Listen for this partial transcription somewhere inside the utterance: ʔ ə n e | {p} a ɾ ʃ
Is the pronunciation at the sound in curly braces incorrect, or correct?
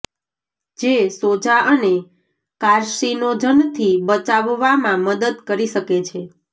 incorrect